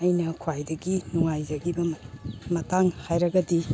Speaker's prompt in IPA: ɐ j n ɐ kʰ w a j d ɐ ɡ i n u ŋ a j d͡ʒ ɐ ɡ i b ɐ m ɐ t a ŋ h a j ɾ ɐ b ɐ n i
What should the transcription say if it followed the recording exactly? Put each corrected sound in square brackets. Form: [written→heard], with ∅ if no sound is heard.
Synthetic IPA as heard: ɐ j n ɐ kʰ w a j d ɐ ɡ i n u ŋ a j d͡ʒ ɐ ɡ i b ɐ m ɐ t a ŋ h a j ɾ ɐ [b→ɡ] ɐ [n→d] i